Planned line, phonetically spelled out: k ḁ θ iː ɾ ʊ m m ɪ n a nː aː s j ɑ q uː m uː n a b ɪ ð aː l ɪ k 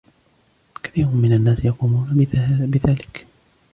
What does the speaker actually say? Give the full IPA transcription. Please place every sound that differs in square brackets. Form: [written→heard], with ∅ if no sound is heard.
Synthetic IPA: k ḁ θ iː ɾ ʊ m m ɪ n a nː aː s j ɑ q uː m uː n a b ɪ ð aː l ɪ k